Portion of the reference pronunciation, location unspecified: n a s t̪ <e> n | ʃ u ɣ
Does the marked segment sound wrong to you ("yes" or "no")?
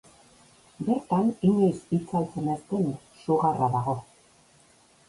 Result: no